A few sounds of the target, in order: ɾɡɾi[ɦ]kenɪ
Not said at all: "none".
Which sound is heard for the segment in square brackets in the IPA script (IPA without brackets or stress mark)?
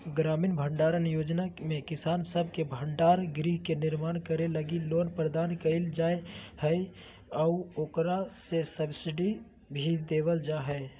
ɦ